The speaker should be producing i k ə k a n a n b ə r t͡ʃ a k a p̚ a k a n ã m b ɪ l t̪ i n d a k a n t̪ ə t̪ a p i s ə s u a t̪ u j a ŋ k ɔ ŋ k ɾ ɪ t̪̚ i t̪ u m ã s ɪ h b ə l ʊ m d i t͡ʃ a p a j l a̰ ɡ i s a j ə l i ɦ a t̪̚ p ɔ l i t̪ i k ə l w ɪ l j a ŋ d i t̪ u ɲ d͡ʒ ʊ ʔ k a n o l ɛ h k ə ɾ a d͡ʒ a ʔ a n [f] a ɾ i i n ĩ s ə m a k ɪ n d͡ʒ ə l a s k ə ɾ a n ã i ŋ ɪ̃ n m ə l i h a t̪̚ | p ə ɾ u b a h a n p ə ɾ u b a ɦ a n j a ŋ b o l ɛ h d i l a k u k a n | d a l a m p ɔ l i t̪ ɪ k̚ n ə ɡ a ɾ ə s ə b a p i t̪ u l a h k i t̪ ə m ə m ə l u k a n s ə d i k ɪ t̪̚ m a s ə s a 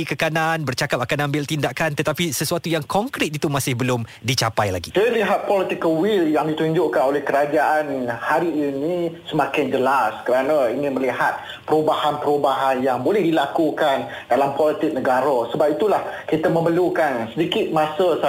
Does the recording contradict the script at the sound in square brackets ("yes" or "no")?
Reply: yes